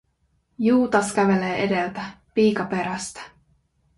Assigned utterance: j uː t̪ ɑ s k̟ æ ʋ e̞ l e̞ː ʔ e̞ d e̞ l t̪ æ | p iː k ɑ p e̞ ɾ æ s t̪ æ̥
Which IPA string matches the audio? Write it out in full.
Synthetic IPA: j uː t̪ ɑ s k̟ æ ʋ e̞ l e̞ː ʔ e̞ d e̞ l t̪ æ | p iː k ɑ p e̞ ɾ æ s t̪ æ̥